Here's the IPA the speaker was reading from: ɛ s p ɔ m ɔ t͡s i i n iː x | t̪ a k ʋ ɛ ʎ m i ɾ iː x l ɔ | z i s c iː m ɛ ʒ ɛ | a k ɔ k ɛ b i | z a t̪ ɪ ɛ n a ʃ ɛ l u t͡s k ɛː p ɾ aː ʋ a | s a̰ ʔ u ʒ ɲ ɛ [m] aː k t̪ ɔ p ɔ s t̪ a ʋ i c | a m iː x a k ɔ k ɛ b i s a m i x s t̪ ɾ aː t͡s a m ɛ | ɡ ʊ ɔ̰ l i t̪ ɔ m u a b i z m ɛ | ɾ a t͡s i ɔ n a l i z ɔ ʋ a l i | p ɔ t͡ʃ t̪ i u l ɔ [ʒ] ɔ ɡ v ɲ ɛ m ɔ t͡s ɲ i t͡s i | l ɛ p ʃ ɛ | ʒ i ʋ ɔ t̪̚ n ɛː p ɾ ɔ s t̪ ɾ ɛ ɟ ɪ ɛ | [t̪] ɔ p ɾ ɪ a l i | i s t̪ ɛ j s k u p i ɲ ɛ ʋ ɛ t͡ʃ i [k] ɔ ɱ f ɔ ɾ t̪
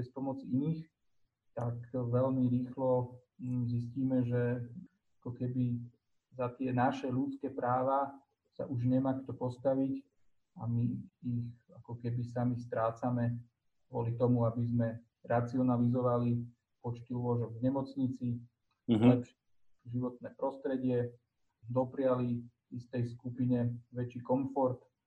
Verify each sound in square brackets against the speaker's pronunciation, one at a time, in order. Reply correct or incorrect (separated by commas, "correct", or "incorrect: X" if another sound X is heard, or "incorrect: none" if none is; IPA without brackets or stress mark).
correct, correct, incorrect: d̪, correct